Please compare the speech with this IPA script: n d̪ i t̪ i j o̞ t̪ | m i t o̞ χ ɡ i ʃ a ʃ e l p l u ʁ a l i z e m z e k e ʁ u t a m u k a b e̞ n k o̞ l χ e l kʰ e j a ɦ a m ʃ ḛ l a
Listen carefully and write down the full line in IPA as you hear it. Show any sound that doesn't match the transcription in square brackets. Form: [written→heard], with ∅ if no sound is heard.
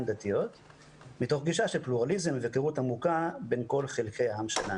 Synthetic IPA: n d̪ [i→a] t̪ i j o̞ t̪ | m i t o̞ χ ɡ i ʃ a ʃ e l p l u ʁ a l i z e m [z→v] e k e ʁ u t a m u k a b e̞ n k o̞ l χ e l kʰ e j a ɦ a m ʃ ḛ l a